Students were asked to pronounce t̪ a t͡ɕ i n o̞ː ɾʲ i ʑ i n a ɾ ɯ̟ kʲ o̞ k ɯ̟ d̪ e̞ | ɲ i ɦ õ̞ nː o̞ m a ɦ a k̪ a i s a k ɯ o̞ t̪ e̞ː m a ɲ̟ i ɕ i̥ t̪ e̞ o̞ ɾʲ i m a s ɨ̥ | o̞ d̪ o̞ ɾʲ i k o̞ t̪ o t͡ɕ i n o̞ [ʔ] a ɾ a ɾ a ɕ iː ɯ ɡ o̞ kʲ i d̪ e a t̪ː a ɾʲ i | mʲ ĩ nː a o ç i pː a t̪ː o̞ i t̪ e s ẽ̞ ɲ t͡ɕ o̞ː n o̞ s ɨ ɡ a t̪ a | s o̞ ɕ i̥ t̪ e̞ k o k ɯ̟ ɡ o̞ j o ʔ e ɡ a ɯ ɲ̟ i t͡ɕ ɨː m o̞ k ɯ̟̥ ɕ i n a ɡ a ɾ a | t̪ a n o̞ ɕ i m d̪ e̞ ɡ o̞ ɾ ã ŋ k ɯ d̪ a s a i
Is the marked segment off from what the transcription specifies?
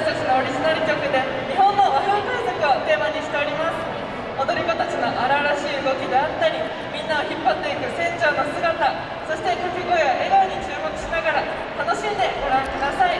no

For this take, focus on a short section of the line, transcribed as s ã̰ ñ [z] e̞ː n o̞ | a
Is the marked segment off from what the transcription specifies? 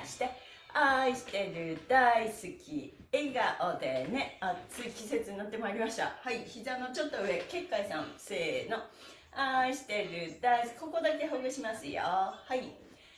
yes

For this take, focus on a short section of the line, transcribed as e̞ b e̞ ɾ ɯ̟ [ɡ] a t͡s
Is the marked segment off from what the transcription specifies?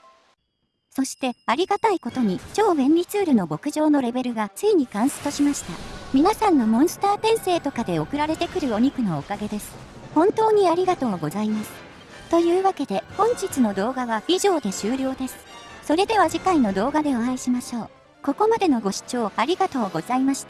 no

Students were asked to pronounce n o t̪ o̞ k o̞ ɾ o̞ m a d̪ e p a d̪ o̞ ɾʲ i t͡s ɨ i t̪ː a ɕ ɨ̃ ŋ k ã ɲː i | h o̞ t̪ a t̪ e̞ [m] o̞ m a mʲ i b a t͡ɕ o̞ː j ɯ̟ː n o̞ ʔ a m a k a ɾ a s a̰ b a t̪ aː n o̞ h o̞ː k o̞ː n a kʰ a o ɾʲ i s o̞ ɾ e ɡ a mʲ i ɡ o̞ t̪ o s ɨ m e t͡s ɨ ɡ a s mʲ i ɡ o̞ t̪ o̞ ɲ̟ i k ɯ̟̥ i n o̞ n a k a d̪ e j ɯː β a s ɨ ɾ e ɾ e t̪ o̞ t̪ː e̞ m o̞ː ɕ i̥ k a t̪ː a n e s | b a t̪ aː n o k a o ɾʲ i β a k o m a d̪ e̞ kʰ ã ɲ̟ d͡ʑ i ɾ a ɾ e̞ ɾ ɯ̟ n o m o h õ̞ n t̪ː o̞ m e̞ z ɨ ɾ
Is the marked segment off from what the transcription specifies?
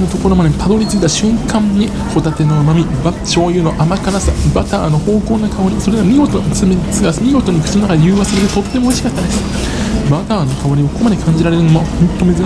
yes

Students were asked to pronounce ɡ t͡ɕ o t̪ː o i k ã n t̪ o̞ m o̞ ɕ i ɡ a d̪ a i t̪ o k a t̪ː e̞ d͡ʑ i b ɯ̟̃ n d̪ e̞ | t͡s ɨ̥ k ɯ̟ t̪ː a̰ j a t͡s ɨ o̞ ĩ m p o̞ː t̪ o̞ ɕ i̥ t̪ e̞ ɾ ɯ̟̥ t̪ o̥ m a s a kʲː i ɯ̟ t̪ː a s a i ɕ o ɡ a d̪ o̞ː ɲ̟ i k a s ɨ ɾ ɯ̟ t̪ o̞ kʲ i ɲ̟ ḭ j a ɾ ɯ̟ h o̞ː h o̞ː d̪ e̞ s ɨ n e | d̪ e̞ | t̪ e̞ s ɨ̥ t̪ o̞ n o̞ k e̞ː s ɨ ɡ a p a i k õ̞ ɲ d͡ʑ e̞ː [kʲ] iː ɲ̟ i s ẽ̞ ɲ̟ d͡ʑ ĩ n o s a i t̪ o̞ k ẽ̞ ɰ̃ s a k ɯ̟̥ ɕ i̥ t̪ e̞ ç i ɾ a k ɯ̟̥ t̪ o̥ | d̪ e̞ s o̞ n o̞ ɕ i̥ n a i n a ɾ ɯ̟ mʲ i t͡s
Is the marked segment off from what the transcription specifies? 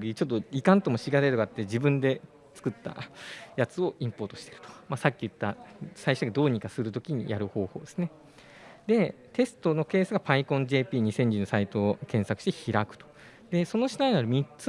yes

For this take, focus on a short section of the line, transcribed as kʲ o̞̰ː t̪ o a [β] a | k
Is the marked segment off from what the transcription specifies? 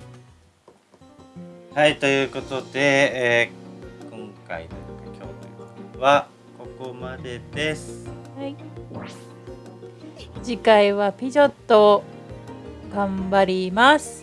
no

